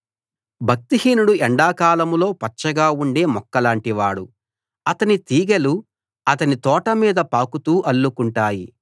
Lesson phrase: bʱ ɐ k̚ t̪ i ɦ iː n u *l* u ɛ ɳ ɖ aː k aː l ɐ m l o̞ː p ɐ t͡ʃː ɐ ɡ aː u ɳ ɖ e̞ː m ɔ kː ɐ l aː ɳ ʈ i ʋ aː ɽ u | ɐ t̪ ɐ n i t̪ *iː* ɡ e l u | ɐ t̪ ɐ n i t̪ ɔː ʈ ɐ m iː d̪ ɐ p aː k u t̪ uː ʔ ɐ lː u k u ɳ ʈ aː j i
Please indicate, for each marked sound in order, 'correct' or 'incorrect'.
incorrect: ɽ, correct

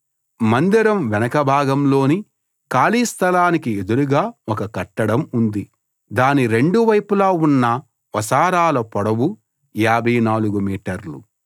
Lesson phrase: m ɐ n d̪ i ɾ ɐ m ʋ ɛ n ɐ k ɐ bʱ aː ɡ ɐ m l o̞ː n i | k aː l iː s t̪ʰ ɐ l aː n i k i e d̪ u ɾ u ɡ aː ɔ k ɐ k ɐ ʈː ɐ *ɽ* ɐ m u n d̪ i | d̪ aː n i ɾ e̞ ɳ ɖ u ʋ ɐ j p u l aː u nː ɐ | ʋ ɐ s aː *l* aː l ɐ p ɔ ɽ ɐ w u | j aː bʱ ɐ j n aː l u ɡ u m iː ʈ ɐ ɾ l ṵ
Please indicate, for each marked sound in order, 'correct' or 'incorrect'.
correct, incorrect: ɾ

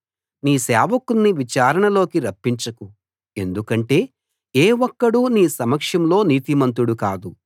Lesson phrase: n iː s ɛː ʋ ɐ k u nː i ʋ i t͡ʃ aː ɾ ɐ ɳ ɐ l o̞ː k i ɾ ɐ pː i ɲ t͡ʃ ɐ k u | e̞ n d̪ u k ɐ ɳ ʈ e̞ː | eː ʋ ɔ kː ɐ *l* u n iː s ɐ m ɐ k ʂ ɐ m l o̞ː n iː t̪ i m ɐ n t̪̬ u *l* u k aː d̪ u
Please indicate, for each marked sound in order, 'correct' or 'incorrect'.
incorrect: ɽ, incorrect: ɽ

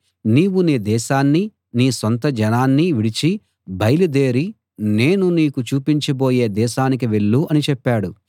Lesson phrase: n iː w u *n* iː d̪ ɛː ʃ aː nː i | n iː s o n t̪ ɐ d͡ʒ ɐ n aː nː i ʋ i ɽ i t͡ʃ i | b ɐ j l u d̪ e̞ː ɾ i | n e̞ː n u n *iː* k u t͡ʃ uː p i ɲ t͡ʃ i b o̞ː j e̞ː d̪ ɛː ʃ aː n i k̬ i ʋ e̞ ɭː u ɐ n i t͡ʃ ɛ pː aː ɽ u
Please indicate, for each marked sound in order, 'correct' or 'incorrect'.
correct, correct

